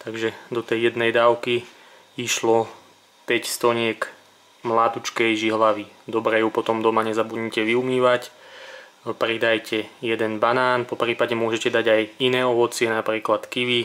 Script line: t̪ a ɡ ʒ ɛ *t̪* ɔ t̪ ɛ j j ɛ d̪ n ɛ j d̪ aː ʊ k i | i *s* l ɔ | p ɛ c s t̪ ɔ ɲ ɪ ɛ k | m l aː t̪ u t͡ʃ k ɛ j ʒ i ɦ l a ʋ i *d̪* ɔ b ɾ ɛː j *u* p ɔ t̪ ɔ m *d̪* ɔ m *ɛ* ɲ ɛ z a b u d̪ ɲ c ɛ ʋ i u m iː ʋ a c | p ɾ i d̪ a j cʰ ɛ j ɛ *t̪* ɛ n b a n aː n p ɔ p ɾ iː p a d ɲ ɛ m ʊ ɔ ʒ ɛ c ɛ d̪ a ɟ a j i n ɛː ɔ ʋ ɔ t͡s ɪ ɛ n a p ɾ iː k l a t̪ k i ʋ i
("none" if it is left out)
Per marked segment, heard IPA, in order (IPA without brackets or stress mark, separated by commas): d̪, ʃ, d̪, u, d̪, a, d̪